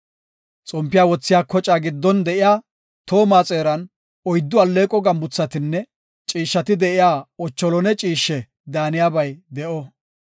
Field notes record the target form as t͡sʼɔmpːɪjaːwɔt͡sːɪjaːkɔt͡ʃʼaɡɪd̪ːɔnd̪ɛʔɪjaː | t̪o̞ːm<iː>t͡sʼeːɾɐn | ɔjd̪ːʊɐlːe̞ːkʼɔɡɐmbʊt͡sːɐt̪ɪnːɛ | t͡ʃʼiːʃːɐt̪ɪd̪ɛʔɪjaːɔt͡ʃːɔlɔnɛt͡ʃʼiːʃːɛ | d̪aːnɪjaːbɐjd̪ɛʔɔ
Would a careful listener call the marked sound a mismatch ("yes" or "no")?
yes